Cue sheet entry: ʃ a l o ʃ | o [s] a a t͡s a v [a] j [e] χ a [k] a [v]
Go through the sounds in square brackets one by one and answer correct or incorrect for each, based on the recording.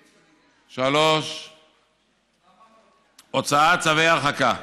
incorrect, incorrect, incorrect, correct, incorrect

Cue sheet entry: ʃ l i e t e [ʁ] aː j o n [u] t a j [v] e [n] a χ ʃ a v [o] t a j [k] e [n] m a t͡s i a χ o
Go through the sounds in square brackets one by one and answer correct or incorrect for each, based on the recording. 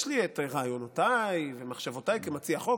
correct, incorrect, correct, incorrect, correct, correct, incorrect

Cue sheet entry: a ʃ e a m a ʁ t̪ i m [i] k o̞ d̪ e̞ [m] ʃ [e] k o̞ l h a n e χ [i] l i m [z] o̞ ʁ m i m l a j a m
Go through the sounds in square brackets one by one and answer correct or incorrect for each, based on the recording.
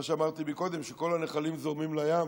correct, correct, correct, incorrect, correct

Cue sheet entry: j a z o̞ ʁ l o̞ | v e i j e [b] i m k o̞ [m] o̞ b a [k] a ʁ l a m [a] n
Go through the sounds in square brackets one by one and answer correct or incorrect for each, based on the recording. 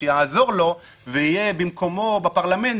correct, correct, incorrect, incorrect

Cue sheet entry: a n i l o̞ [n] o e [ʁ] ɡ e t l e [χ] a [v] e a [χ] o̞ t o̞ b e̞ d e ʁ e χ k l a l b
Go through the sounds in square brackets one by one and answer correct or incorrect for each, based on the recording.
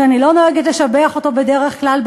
correct, incorrect, incorrect, incorrect, correct

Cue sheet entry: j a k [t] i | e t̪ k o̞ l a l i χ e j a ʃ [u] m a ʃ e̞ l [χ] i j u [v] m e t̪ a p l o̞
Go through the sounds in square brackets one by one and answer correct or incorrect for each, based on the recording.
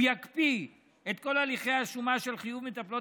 incorrect, correct, correct, correct

